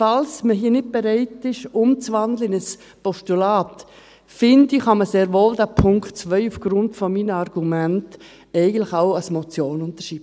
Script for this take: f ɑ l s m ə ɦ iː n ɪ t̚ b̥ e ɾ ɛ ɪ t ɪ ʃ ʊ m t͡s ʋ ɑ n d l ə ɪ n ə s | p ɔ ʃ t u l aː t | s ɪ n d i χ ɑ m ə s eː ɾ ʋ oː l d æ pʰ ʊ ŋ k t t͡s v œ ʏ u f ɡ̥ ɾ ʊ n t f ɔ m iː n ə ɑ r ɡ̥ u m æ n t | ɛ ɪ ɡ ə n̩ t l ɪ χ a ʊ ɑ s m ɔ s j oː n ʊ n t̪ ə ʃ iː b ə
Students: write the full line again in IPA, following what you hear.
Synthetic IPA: f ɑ l s m ə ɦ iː n ɪ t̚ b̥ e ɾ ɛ ɪ t ɪ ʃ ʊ m t͡s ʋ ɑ n d l ə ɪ n ə s | p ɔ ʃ t u l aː t | f ɪ n d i χ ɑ m ə s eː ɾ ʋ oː l d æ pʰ ʊ ŋ k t t͡s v œ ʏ u f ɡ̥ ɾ ʊ n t f ɔ m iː n ə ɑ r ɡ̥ u m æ n t | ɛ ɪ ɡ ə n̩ t l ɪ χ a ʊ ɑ s m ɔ t͡s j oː n ʊ n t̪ ə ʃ iː b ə